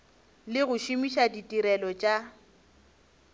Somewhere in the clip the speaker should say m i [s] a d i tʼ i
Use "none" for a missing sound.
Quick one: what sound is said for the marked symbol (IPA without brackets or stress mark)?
ʃ